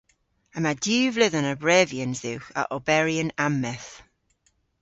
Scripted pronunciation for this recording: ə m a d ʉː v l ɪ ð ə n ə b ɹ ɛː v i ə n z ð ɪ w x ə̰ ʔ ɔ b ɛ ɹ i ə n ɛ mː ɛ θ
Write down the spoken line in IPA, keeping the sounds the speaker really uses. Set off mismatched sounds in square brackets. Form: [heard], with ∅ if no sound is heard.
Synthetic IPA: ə m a d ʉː v l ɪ ð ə n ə b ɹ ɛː v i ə n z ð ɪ w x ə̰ ʔ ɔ b ɛ ɹ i ə n [a] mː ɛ θ